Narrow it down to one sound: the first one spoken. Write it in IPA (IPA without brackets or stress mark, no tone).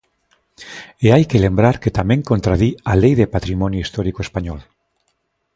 e